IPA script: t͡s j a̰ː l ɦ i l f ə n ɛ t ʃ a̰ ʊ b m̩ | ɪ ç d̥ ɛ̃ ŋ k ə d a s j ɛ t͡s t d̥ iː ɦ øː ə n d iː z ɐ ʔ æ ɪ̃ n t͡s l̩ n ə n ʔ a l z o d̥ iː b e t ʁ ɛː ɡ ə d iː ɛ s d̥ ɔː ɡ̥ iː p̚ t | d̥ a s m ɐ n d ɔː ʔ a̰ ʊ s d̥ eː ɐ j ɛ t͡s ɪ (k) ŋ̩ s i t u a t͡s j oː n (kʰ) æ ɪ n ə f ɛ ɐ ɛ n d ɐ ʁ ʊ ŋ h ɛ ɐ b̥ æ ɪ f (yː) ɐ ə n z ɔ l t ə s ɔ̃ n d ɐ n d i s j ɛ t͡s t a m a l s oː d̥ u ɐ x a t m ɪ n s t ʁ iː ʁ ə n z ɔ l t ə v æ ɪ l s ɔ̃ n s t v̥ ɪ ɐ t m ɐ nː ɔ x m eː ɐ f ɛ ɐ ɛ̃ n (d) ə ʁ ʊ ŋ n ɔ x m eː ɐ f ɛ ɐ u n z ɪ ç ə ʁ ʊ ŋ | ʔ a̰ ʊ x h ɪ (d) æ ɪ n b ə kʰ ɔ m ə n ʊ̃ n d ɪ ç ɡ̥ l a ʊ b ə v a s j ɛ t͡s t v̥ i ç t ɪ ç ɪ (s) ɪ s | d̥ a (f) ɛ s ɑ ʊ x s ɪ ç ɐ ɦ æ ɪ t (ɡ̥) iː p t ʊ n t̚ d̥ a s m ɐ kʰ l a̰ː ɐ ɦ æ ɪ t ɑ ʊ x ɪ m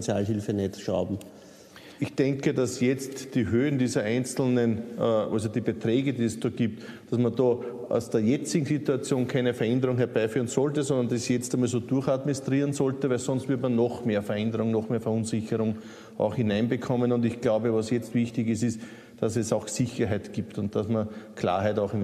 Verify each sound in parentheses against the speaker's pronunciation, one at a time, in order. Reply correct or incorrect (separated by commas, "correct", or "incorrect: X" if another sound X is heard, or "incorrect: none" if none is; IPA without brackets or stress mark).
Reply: incorrect: ɡ, correct, correct, correct, incorrect: n, correct, incorrect: s, correct